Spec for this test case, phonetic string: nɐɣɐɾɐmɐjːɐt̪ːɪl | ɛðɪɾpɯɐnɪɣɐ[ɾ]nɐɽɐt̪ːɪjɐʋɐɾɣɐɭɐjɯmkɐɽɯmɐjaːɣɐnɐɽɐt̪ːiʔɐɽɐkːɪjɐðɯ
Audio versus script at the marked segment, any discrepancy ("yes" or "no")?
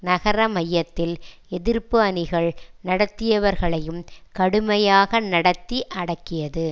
yes